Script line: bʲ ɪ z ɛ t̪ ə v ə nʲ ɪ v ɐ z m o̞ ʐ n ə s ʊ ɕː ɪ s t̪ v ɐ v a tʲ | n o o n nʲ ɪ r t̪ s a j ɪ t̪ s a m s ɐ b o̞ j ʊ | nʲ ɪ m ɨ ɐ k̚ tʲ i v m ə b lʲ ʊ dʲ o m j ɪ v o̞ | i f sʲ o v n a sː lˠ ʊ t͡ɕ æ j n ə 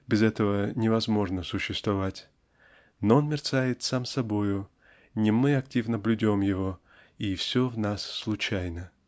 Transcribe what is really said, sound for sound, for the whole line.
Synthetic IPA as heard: bʲ ɪ z ɛ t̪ ə v ə nʲ ɪ v ɐ z m o̞ ʐ n ə s ʊ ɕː ɪ s t̪ v ɐ v a tʲ | n o o n mʲ ɪ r t̪ s a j ɪ t̪ s a m s ɐ b o̞ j ʊ | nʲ ɪ m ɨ ɐ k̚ tʲ i v n ə b lʲ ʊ dʲ o m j ɪ v o̞ | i f sʲ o v n a sː lˠ ʊ t͡ɕ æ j n ə